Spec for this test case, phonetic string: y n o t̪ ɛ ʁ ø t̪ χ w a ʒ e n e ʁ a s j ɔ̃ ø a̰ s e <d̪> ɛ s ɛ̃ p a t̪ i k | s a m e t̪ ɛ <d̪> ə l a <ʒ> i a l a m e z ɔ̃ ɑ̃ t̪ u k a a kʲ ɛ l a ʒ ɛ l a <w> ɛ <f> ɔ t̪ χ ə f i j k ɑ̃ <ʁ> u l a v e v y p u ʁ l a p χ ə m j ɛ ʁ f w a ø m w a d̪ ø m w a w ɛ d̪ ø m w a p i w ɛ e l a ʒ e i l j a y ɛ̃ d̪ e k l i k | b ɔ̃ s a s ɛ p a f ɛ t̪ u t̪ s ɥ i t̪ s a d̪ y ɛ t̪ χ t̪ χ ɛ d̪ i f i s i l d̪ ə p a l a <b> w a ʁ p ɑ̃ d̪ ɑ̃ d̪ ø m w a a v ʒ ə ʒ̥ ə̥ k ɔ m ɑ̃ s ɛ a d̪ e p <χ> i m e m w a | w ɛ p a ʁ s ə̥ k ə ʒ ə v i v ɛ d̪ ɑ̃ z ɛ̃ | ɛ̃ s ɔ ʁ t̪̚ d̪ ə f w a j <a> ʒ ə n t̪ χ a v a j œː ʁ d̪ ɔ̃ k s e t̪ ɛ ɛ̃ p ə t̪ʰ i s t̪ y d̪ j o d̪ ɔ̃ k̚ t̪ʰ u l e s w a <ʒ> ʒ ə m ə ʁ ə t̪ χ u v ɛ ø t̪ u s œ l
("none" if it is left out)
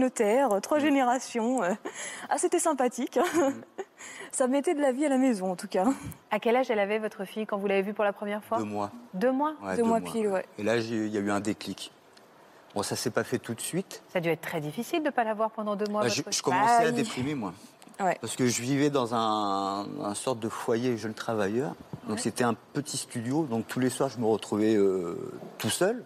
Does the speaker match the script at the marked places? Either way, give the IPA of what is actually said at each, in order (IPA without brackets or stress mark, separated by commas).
t̪, d̪, v, v, v, v, v, χ, e, ʁ